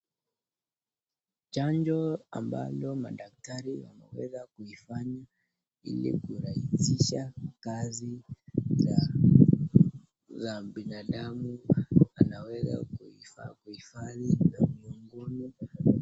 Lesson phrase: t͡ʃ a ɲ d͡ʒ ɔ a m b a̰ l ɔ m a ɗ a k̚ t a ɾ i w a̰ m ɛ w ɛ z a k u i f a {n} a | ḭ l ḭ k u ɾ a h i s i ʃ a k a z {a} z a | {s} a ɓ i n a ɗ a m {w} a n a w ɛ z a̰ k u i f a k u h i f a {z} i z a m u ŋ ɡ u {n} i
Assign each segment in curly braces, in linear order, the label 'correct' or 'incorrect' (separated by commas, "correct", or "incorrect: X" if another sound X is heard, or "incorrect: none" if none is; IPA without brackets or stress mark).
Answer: incorrect: ɲ, incorrect: i, incorrect: z, incorrect: u, incorrect: ð, correct